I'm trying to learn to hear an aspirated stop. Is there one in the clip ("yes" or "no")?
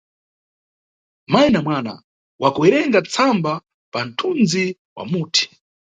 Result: yes